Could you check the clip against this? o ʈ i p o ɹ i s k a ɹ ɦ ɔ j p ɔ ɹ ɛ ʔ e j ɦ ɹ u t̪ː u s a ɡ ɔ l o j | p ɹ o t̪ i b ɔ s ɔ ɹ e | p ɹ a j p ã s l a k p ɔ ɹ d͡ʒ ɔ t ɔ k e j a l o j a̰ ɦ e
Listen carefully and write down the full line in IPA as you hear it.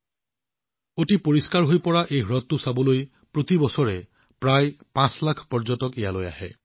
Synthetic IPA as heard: o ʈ i p o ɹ i s k a ɹ ɦ o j p ɔ ɹ a ʔ e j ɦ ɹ ɔ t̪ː u s a b ɔ l o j | p ɹ o t̪ i b ɔ s ɔ ɹ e | p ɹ a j p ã s l a kʰ p ɔ ɹ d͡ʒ ɔ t ɔ k e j a l o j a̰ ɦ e